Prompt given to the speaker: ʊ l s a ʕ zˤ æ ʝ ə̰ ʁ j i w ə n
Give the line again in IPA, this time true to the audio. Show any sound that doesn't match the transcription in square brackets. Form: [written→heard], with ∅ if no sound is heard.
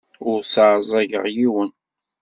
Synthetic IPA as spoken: ʊ [l→ɾ] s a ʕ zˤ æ ʝ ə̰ ʁ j i w ə n